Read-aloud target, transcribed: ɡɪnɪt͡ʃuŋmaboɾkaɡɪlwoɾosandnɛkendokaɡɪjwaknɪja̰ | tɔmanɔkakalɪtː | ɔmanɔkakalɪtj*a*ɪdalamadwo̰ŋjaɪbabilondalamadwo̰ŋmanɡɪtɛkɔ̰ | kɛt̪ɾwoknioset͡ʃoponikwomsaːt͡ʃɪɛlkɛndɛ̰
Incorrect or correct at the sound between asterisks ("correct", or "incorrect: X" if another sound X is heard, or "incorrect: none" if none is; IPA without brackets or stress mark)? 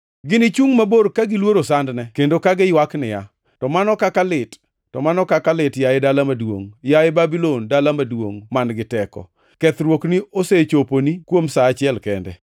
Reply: correct